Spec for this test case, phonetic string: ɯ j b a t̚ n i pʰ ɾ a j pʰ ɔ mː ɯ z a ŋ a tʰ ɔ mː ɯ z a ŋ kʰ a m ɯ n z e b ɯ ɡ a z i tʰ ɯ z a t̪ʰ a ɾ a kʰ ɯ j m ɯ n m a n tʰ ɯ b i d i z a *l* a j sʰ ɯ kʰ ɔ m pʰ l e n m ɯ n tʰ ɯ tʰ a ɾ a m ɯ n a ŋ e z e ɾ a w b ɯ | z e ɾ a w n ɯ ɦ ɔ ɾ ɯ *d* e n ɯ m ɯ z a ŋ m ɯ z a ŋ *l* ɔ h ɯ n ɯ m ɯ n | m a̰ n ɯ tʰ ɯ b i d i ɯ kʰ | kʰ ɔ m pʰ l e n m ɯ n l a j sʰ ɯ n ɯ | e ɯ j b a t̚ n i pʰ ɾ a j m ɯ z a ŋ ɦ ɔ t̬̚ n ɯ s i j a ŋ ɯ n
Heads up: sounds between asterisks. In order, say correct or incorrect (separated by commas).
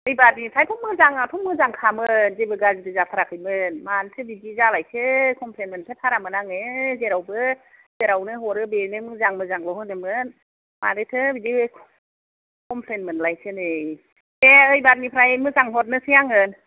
correct, incorrect, correct